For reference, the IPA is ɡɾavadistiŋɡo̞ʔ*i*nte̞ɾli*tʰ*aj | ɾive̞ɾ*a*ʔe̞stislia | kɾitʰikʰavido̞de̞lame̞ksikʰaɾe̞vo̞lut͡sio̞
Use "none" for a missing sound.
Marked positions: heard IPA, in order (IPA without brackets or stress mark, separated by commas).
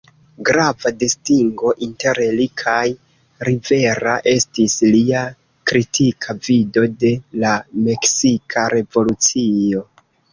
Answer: i, kʰ, a